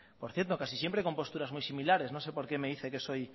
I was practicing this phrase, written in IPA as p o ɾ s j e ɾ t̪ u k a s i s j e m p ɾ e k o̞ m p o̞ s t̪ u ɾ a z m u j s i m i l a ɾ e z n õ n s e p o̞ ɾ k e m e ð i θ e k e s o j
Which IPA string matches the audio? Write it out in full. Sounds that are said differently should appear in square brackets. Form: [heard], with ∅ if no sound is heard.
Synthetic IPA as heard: p o ɾ [θ] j e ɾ t̪ [o] k a s i s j e m p ɾ e k o̞ m p o̞ s t̪ u ɾ a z m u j s i m i l a ɾ e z n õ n s e p o̞ ɾ k e m e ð i θ e k e s o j